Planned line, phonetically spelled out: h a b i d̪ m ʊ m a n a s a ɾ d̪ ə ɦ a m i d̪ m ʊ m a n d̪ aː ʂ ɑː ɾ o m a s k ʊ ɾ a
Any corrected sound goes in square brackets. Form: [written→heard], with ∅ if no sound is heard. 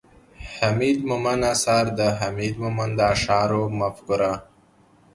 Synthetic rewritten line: h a [b→m] i d̪ m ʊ m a n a s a ɾ d̪ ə ɦ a m i d̪ m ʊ m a n d̪ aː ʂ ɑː ɾ o m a [s→f] k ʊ ɾ a

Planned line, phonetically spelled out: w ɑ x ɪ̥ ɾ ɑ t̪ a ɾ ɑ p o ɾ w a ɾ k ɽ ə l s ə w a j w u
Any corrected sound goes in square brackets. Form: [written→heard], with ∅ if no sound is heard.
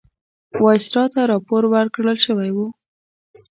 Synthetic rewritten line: w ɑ [x→s] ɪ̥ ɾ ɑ t̪ a ɾ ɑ p o ɾ w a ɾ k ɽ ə l [s→ʃ] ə w a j w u

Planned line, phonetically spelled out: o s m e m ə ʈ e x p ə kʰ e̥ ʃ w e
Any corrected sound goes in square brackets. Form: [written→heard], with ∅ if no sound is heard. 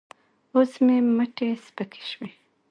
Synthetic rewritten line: o s m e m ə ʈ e [x→s] p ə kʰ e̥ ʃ w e

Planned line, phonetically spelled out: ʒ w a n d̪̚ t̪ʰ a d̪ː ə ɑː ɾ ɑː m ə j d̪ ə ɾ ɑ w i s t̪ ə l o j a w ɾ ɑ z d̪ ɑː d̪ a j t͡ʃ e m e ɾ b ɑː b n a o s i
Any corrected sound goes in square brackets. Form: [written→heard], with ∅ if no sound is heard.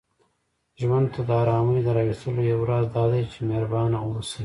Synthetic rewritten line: ʒ w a n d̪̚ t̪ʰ a [d̪ː→d̪] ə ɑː ɾ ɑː m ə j d̪ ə ɾ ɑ w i s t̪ ə l o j a w ɾ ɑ z d̪ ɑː d̪ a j t͡ʃ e m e ɾ b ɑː [b→∅] n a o s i

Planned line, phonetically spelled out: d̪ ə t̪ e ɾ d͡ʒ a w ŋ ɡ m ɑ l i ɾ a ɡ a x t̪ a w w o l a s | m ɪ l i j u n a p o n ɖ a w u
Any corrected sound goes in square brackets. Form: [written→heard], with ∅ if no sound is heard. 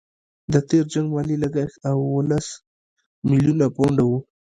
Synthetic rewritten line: d̪ ə t̪ e ɾ d͡ʒ a [w→∅] ŋ ɡ m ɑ l i [ɾ→l] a ɡ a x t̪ a w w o l a s | m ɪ l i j u n a p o [n→ɳ] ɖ a w u

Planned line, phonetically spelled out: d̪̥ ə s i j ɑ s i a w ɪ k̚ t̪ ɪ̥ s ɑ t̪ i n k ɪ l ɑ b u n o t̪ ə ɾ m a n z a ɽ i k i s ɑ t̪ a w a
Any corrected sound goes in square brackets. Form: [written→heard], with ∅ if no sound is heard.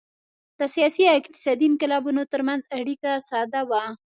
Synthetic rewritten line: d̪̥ ə s i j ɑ s i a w ɪ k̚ t̪ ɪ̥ s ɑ [t̪→d̪] i n k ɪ l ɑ b u n o t̪ ə ɾ m a n z a ɽ i k [i→a] s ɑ [t̪→d̪] a w a

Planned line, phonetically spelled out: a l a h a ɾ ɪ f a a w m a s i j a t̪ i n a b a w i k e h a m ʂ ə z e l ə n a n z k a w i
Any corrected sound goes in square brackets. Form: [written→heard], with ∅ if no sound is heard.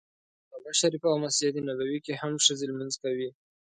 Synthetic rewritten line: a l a [h→ʃ] a ɾ [ɪ→i] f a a w m a s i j a t̪ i n a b a w i k e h a m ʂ ə z e l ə [n→m] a n z k a w i

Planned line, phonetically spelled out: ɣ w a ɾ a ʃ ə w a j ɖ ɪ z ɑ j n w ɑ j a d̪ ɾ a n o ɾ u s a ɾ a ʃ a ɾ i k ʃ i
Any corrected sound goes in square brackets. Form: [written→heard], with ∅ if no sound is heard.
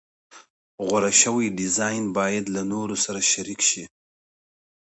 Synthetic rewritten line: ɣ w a ɾ a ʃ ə w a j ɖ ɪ z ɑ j n [w→b] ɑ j a d̪ [ɾ→l] a n o ɾ [u→o] s a ɾ a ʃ a ɾ i k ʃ i

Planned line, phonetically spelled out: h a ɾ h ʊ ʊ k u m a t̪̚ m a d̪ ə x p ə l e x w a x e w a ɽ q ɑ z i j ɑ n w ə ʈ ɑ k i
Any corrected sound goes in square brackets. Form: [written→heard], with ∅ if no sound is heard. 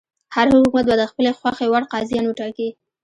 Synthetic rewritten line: h a ɾ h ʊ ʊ k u m a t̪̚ [m→b] a d̪ ə x p ə l e x w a x e w a ɽ q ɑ z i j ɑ n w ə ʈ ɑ k i

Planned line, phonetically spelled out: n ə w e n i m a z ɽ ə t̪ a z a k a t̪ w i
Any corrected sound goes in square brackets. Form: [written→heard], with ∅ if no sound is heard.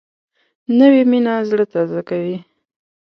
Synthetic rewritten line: n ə w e [n→m] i [m→n] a z ɽ ə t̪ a z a k a [t̪→∅] w i

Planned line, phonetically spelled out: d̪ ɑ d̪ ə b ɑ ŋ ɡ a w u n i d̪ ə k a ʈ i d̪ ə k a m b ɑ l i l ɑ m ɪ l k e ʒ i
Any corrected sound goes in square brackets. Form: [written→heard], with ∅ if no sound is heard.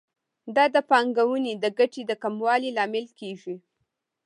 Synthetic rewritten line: d̪ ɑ d̪ ə [b→p] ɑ ŋ ɡ a w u n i d̪ ə [k→ɡ] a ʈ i d̪ ə k a m [b→w] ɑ l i l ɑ m ɪ l k e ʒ i

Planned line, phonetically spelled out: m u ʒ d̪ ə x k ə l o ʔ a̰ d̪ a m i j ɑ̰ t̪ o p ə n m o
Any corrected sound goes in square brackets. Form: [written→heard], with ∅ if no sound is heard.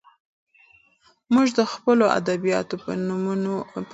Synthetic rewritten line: m u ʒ d̪ ə x [k→p] ə l o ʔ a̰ d̪ a [m→b] i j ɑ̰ t̪ o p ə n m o

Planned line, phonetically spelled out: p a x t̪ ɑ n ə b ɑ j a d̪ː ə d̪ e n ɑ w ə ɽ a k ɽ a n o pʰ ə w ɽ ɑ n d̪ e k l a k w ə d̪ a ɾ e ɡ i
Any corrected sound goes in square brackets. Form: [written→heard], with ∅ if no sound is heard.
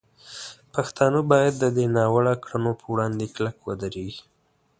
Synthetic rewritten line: p a x t̪ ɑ n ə b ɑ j a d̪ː ə d̪ e n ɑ w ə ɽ a k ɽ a n o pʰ ə w ɽ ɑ n d̪ e k l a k w ə d̪ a ɾ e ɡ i

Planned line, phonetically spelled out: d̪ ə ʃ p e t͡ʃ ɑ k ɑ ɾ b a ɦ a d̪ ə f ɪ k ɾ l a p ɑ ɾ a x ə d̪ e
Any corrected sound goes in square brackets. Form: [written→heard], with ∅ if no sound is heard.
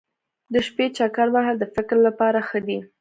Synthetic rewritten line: d̪ ə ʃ p e t͡ʃ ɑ k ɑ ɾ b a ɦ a d̪ ə f ɪ k ɾ l a p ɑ ɾ a x ə d̪ [e→i]

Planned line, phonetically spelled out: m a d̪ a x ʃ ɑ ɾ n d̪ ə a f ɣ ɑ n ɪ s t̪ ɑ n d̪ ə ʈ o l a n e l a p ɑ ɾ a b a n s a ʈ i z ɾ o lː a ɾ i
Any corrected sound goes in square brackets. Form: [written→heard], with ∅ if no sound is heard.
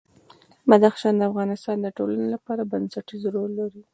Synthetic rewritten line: m a d̪ a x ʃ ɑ [ɾ→∅] n d̪ ə a f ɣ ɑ n ɪ s t̪ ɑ n d̪ ə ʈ o l a n e l a p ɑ ɾ a b a n s a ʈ i z ɾ o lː a ɾ i

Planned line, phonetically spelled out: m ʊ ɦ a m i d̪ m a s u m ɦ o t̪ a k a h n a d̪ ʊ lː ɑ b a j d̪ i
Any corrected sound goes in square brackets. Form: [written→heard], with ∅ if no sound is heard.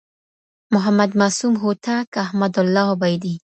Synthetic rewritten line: m ʊ ɦ a m [i→a] d̪ m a s u m ɦ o t̪ a k a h [n→m] a d̪ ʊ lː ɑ b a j d̪ i

